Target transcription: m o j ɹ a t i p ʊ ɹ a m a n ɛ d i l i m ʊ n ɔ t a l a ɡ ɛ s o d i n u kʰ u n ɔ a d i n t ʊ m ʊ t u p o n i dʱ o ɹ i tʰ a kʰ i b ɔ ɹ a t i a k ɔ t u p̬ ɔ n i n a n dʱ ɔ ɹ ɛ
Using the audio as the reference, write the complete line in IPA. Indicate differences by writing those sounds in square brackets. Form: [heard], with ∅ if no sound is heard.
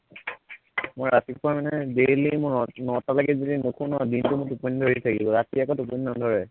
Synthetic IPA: m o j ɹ a t i p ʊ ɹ a m a n ɛ d [e] l i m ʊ n ɔ t a l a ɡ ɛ [z] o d i n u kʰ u n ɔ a d i n t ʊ m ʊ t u p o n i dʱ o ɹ i tʰ a [k] i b ɔ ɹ a t i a k ɔ t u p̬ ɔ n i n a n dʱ ɔ ɹ ɛ